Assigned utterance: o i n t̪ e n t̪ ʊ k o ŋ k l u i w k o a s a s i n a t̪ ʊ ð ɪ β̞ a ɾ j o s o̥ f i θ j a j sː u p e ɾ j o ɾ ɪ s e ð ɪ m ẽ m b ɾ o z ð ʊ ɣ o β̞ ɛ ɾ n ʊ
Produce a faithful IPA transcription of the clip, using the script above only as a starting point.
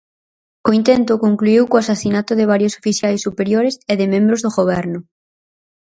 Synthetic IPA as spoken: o i n t̪ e n t̪ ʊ k o ŋ k l u i w k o a s a s i n a t̪ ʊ ð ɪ β̞ a ɾ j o s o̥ f i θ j a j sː u p e ɾ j o ɾ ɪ s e ð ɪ m ẽ m b ɾ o z ð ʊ ɣ o β̞ ɛ ɾ n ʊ